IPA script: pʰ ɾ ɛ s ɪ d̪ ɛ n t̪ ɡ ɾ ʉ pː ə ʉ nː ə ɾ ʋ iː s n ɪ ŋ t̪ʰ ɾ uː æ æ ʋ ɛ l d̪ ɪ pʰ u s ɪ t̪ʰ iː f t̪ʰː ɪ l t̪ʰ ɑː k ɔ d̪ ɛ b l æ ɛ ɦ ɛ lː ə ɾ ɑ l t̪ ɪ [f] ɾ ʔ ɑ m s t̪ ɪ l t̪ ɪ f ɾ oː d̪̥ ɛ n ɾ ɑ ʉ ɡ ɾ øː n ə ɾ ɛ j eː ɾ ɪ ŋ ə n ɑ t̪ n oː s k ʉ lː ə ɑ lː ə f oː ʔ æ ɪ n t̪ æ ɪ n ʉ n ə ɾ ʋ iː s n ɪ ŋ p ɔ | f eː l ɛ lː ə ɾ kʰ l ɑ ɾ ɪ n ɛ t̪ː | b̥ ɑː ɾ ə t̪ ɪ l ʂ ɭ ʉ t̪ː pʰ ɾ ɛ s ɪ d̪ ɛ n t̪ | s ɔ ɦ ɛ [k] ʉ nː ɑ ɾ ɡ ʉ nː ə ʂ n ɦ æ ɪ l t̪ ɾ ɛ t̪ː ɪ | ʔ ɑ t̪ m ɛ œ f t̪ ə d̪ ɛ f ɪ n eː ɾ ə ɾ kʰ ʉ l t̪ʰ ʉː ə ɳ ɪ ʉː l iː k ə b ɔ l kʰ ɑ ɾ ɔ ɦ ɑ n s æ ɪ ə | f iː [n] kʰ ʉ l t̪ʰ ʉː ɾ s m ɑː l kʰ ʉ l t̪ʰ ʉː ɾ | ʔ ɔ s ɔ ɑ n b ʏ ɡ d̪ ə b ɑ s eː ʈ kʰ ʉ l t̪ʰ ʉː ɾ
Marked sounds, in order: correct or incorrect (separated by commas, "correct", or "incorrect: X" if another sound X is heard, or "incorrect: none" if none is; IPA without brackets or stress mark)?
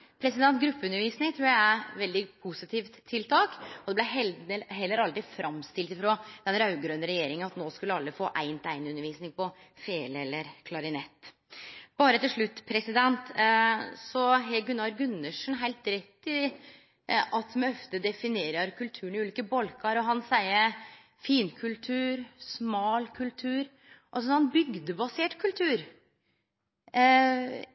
correct, incorrect: ɡ, correct